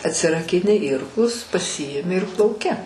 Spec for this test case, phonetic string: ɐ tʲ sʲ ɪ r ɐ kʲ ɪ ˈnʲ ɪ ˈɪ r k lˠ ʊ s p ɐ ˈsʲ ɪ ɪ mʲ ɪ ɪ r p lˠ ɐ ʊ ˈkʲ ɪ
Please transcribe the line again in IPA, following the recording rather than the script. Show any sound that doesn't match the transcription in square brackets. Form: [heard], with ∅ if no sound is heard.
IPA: ɐ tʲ sʲ ɪ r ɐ kʲ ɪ ˈnʲ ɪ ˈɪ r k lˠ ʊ s p ɐ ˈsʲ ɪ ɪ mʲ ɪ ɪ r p lˠ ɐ ʊ ˈkʲ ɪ